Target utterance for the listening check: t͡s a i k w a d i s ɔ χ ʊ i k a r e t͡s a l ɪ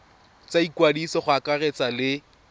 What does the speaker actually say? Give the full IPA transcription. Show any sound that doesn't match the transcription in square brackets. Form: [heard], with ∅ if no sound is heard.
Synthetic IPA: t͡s a i k w a d i s ɔ χ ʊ [a] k a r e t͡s a l ɪ